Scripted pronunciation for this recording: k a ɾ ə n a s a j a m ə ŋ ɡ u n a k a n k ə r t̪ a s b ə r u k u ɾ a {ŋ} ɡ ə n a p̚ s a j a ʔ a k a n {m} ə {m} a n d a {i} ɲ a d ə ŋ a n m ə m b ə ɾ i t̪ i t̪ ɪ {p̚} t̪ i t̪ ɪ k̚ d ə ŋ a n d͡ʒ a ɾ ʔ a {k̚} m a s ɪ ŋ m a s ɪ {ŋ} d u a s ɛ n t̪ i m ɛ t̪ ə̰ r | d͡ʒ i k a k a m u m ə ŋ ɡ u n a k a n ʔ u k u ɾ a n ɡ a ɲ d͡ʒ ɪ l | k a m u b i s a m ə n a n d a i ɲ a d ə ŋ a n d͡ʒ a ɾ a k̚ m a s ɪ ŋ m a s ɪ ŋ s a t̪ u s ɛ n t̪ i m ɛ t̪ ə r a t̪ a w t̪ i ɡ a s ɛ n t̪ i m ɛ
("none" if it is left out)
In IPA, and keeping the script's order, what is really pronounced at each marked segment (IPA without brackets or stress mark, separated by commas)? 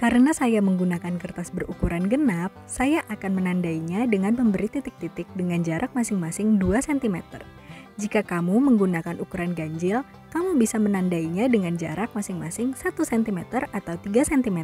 n, m, n, i, k̚, k̚, ŋ